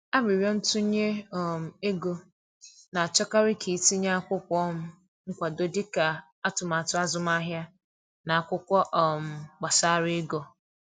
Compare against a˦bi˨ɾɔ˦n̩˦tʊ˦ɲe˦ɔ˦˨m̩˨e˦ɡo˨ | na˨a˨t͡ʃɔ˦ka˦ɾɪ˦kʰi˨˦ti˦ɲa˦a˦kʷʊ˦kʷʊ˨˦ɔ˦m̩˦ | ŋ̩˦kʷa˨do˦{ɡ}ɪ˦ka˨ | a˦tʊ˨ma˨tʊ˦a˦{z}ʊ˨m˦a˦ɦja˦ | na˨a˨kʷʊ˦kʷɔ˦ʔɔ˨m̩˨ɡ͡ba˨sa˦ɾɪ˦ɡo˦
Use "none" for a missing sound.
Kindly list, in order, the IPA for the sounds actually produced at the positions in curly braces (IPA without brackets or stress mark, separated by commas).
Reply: d, z